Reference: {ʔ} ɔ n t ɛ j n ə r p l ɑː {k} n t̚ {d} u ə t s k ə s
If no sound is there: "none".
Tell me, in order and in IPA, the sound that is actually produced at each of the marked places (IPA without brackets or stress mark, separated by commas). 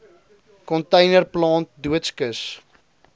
k, none, d